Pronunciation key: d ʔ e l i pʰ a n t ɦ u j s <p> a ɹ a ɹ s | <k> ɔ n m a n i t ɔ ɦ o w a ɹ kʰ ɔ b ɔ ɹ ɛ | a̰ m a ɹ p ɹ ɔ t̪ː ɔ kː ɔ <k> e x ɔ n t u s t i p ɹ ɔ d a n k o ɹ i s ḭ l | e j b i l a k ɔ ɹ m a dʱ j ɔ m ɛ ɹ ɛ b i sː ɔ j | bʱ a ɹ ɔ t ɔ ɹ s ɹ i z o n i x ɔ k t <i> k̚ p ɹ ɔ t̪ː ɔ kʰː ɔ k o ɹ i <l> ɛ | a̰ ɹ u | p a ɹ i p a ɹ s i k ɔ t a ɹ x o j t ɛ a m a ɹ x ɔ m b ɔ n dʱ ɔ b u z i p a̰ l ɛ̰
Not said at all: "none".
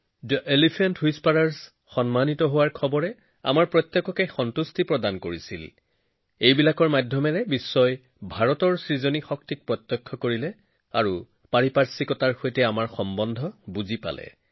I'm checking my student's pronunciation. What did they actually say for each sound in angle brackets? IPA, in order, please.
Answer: p, x, k, i, l

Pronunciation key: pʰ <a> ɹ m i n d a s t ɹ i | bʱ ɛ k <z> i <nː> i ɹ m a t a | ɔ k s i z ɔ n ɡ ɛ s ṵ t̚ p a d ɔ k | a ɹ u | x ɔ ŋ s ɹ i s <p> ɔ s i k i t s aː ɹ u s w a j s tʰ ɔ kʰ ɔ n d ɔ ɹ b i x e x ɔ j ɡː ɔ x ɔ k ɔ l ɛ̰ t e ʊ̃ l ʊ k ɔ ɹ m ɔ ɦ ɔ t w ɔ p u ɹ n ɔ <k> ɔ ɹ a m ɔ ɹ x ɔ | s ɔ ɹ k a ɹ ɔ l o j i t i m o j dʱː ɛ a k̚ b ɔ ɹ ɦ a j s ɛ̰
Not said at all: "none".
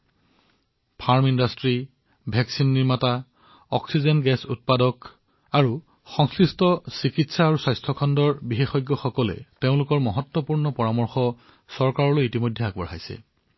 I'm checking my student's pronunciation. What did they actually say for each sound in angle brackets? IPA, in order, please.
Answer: a, s, nː, t, p

